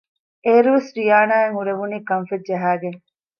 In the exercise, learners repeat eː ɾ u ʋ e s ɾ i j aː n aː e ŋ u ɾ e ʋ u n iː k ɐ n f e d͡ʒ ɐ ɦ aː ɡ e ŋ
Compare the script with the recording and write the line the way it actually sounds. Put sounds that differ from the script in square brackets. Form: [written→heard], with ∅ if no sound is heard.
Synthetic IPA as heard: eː ɾ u ʋ e s ɾ i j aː n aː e ŋ u ɾ e ʋ u n iː k ɐ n f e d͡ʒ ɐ ɦ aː ɡ e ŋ